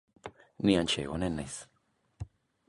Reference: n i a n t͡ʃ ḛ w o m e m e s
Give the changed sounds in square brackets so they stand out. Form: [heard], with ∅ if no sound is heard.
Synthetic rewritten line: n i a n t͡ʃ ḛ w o [n] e [n] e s